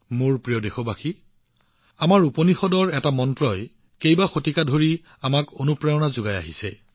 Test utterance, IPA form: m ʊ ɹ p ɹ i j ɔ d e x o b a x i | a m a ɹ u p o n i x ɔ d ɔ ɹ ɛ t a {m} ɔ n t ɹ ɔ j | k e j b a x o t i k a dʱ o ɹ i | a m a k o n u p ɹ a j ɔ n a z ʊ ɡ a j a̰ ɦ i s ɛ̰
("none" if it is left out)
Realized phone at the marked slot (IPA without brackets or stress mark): m